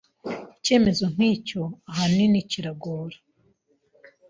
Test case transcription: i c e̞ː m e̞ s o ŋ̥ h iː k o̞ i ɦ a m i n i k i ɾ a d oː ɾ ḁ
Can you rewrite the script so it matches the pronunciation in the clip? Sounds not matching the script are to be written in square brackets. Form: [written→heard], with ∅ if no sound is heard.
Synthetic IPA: i c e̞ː m e̞ [s→z] o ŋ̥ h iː [k→c] o̞ [i→a] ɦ a [m→n] i n i [k→c] i ɾ a [d→ɡ] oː ɾ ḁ